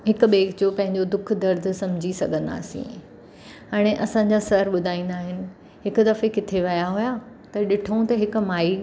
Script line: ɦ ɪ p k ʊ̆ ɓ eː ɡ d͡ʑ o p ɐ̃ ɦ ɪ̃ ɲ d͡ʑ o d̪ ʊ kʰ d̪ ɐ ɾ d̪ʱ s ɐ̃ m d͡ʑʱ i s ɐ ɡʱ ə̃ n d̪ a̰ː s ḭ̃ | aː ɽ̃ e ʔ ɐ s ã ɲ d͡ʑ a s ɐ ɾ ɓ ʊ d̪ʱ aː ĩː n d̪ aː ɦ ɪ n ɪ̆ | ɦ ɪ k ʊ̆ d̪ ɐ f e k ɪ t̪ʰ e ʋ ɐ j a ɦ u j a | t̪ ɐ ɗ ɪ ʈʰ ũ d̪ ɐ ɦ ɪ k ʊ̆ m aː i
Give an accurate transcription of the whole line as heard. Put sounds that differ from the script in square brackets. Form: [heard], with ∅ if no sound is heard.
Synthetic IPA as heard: ɦ ɪ [∅] k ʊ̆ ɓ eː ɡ d͡ʑ o p ɐ̃ ɦ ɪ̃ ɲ d͡ʑ o d̪ ʊ kʰ d̪ ɐ ɾ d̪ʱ s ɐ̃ m d͡ʑʱ i s ɐ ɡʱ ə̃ n d̪ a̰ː s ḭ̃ | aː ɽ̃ e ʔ ɐ s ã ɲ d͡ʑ a s ɐ ɾ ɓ ʊ d̪ʱ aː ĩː n d̪ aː ɦ ɪ n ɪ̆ | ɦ ɪ k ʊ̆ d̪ ɐ f e k ɪ t̪ʰ e ʋ ɐ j a ɦ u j a | t̪ ɐ ɗ ɪ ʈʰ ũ [t̪] ɐ ɦ ɪ k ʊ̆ m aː i